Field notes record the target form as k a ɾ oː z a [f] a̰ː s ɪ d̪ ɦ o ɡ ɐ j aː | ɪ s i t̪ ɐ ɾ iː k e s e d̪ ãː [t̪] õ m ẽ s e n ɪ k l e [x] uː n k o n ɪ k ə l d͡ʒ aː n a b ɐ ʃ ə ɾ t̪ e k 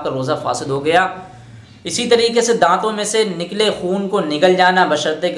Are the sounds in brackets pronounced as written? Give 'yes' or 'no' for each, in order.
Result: yes, yes, yes

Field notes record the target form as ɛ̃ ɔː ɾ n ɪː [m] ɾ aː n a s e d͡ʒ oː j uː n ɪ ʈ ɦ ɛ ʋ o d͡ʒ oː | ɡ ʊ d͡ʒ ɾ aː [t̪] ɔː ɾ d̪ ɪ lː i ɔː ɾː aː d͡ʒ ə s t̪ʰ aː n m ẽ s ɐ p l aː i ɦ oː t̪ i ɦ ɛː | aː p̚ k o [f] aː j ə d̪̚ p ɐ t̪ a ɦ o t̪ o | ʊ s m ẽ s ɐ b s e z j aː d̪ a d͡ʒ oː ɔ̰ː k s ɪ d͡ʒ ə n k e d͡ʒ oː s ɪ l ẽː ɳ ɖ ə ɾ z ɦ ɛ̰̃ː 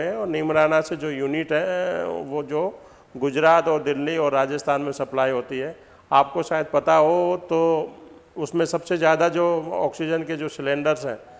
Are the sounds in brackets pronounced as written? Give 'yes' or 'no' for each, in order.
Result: yes, yes, no

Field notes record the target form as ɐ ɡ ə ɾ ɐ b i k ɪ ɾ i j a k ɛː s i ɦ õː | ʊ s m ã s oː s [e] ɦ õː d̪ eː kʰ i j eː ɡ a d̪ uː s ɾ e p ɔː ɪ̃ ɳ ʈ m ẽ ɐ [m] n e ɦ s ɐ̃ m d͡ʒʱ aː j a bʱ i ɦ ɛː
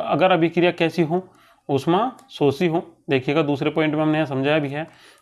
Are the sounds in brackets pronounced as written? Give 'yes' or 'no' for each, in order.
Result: no, yes

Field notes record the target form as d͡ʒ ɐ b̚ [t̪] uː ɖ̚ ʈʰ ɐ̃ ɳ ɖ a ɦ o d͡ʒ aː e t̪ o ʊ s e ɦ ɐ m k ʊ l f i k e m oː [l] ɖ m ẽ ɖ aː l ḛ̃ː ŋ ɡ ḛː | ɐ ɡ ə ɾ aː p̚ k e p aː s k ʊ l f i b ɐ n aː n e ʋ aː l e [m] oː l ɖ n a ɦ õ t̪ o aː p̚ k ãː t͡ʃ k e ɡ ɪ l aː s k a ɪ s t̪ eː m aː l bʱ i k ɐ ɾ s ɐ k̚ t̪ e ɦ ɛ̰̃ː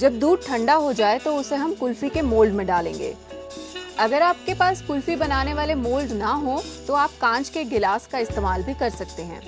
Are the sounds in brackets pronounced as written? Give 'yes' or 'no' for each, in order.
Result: no, yes, yes

